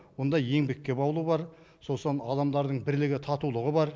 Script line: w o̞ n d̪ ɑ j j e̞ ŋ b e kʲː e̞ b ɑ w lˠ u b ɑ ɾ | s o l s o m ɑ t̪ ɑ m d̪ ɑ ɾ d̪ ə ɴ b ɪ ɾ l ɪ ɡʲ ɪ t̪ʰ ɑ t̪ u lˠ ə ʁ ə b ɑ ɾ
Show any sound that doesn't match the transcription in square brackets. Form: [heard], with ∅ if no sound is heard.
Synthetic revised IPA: w o̞ n d̪ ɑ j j e̞ ŋ b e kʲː e̞ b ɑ w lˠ u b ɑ ɾ | s o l s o [n] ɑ [d̪] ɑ m d̪ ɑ ɾ d̪ ə ɴ b ɪ ɾ l ɪ ɡʲ ɪ t̪ʰ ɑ t̪ u lˠ ə ʁ ə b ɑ ɾ